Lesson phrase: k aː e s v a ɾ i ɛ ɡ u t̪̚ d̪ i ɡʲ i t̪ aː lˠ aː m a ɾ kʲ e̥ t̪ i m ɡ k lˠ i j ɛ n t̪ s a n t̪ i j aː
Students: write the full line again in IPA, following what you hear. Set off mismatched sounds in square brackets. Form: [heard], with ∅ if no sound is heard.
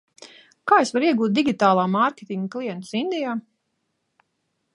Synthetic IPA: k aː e s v a ɾ i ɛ ɡ [uː] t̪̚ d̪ i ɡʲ i t̪ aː lˠ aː m a ɾ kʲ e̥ t̪ i [ŋ] ɡ k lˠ i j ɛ n t̪ s [i] n [d̪] i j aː